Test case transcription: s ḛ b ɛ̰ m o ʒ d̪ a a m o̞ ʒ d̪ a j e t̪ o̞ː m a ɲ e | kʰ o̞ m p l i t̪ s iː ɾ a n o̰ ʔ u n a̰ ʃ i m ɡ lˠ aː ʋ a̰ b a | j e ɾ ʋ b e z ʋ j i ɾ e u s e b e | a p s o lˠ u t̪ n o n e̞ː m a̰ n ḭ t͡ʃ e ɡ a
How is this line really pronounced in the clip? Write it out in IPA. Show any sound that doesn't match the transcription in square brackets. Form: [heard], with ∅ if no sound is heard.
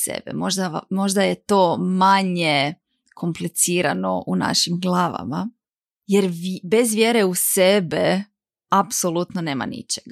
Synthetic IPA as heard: s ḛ b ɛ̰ m o ʒ d̪ a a m o̞ ʒ d̪ a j e t̪ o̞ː m a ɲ e | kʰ o̞ m p l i t̪ s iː ɾ a n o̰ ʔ u n a̰ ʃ i m ɡ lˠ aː ʋ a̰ [m] a | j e ɾ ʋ b e z ʋ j [e] ɾ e u s e b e | a p s o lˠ u t̪ n o n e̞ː m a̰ n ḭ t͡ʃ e ɡ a